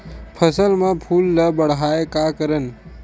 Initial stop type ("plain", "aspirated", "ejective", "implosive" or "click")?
aspirated